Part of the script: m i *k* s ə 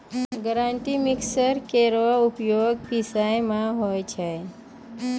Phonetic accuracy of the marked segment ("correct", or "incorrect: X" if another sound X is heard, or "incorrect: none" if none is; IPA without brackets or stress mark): correct